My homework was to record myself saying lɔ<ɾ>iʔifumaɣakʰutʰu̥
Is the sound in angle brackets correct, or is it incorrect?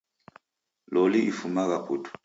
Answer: incorrect